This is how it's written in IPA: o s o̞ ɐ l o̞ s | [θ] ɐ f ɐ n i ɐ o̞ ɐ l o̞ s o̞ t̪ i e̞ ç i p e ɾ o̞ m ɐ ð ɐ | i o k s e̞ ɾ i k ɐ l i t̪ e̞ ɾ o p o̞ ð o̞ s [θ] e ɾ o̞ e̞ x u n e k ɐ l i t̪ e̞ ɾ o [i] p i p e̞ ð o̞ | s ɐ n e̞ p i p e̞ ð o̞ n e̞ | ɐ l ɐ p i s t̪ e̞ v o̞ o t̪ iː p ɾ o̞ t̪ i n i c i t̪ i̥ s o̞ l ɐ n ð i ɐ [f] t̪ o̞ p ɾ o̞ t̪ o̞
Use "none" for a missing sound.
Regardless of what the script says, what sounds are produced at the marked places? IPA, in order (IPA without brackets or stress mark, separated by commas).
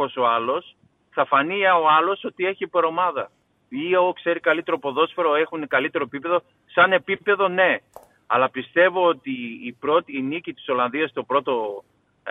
θ, f, e, s